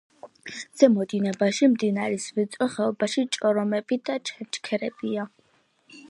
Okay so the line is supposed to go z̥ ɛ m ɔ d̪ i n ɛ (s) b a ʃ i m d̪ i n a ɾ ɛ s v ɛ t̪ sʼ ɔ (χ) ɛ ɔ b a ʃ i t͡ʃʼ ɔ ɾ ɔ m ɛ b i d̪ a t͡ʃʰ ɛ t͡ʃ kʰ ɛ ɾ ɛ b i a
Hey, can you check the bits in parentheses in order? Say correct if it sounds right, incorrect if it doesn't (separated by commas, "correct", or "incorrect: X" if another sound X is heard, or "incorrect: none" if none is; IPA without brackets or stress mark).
incorrect: none, correct